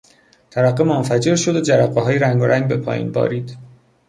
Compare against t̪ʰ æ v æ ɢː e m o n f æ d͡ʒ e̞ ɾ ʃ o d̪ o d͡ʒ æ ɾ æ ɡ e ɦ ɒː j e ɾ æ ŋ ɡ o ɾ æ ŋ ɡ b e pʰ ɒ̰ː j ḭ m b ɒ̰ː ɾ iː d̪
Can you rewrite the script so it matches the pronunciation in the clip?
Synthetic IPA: t̪ʰ æ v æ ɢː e m o n f æ d͡ʒ e̞ ɾ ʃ o d̪ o d͡ʒ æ ɾ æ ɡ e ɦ ɒː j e ɾ æ ŋ ɡ o ɾ æ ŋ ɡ b e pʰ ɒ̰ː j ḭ n b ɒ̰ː ɾ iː d̪